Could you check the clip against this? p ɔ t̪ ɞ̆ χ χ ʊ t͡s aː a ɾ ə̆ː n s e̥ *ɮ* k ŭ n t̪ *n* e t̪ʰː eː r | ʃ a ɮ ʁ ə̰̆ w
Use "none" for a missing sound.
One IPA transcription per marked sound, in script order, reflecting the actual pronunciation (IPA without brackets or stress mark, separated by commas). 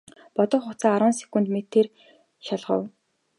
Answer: none, m